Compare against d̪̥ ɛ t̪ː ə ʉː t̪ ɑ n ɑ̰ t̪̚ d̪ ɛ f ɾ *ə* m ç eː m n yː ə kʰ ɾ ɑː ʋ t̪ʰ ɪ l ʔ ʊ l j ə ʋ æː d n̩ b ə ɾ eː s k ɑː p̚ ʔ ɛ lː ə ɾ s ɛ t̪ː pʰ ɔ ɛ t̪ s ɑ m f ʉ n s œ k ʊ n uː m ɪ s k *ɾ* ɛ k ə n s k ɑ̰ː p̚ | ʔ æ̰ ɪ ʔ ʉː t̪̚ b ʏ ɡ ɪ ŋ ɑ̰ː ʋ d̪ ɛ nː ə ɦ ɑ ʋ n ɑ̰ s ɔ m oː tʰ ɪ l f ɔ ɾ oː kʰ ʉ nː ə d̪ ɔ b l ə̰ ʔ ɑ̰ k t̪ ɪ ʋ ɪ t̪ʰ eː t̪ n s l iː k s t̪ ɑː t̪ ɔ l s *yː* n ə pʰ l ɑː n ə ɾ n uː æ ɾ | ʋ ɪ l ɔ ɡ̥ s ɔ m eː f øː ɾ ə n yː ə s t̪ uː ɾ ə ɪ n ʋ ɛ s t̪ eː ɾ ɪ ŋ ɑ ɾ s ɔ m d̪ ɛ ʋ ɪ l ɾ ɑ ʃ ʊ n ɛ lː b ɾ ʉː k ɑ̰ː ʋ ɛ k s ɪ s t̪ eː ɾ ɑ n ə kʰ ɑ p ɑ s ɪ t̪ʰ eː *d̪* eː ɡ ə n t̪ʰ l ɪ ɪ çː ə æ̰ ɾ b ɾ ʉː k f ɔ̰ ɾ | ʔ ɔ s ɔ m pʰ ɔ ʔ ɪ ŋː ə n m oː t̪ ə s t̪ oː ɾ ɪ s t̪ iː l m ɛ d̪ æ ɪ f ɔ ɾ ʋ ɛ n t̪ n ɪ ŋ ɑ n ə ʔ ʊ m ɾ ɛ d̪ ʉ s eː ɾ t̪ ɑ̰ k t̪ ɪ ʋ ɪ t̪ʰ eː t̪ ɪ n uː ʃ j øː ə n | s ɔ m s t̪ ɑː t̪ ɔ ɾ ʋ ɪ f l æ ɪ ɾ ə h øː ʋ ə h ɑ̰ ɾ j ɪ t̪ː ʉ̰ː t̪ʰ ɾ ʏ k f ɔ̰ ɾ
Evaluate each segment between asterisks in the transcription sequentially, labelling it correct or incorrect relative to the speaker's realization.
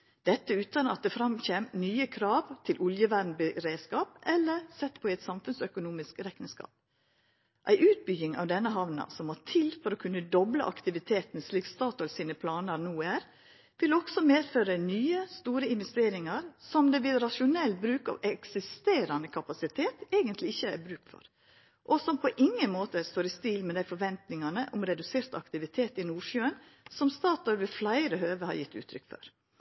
incorrect: ɑ, correct, incorrect: iː, incorrect: t̪

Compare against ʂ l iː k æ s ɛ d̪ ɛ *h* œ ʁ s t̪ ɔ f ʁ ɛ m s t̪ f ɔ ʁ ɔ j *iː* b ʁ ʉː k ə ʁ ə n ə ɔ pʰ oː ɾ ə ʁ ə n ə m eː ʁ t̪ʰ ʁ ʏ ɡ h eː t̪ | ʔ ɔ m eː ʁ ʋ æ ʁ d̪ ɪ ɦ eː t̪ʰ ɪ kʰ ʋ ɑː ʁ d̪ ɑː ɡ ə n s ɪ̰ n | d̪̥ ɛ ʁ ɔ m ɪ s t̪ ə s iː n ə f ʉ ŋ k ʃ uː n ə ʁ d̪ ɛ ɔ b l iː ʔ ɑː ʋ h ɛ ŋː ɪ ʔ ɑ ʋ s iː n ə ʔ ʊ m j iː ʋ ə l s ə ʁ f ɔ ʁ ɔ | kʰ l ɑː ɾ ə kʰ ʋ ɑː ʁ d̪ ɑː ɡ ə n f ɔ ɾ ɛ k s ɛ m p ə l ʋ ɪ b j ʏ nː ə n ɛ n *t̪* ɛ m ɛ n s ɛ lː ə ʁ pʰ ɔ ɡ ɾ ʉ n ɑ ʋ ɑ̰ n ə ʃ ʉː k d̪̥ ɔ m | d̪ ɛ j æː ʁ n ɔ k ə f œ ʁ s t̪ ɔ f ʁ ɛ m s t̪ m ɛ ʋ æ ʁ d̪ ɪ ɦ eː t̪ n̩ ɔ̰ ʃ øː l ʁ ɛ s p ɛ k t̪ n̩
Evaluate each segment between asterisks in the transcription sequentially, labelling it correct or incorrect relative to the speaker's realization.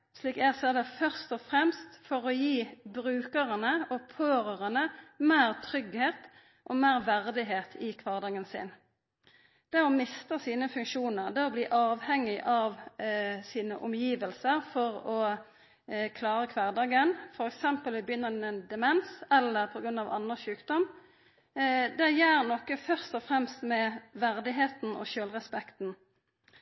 incorrect: f, correct, incorrect: d̪

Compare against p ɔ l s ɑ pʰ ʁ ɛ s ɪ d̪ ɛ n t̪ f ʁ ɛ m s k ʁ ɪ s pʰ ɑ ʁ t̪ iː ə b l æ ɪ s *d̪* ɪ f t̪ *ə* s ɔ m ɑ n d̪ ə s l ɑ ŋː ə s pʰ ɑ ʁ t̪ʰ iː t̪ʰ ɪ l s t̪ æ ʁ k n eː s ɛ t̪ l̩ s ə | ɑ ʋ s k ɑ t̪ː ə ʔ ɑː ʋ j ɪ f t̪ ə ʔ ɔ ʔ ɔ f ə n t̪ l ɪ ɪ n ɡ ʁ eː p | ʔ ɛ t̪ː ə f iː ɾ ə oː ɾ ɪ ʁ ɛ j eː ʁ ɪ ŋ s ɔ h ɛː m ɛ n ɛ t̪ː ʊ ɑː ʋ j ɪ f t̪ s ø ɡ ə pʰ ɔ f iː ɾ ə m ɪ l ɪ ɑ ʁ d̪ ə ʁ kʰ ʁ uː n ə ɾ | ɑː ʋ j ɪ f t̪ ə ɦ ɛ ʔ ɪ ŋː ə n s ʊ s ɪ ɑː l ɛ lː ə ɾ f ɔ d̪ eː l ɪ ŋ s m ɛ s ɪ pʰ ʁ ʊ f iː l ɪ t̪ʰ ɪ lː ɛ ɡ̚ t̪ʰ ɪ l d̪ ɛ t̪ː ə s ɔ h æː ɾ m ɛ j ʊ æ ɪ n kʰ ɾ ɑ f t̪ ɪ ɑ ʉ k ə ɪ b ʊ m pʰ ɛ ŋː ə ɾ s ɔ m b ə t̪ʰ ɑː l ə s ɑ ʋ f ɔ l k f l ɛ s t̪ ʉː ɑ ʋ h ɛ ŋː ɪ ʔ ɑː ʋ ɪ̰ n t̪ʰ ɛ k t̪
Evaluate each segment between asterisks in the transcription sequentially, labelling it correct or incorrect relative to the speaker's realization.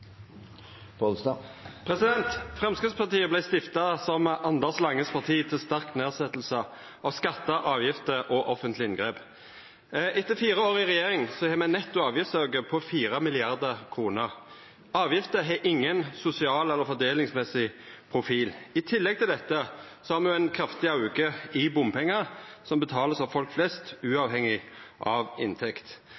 incorrect: t̪, incorrect: ɑ

